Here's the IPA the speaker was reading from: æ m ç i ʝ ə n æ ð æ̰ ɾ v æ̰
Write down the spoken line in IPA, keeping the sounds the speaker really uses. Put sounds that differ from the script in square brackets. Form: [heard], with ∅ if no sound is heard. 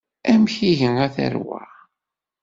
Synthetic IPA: æ m ç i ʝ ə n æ [θ] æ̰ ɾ [w] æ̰